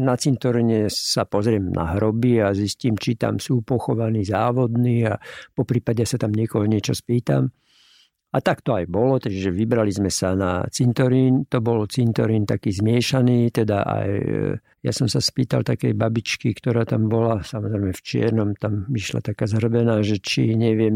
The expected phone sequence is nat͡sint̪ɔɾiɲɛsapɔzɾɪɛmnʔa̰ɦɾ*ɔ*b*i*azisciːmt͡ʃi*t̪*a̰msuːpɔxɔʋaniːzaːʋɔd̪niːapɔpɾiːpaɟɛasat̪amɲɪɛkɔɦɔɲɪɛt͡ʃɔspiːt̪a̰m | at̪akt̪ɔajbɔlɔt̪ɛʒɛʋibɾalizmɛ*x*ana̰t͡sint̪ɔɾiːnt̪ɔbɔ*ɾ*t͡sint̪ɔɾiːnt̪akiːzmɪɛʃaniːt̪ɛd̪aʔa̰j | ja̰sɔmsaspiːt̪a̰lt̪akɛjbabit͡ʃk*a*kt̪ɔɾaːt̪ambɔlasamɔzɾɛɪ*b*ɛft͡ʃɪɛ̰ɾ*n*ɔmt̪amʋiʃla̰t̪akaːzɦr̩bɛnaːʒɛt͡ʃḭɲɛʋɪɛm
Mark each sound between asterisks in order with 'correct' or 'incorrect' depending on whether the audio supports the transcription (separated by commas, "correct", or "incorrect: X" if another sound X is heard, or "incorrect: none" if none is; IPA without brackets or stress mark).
correct, correct, correct, incorrect: s, incorrect: l, incorrect: i, incorrect: m, correct